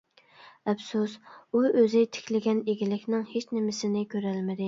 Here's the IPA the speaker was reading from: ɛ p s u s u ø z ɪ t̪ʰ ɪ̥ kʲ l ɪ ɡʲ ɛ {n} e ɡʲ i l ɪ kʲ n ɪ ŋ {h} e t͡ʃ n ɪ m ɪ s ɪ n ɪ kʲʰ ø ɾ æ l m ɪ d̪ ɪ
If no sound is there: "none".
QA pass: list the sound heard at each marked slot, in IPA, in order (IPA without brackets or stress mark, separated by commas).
n, h